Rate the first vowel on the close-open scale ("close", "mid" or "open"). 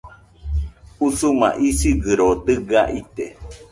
close